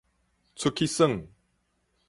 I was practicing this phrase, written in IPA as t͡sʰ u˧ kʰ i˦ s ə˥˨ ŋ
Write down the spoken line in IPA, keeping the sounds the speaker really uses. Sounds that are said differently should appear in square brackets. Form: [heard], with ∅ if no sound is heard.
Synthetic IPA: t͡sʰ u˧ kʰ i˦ s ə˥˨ ŋ